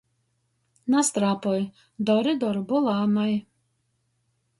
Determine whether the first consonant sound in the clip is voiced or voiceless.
voiced